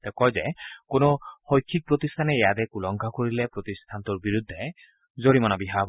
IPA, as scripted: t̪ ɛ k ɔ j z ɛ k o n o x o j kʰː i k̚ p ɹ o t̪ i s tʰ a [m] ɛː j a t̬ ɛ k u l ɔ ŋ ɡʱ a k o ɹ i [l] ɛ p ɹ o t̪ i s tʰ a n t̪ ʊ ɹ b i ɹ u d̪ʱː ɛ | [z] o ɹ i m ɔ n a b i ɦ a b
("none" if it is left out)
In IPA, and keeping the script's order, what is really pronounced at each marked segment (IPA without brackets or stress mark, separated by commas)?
n, l, z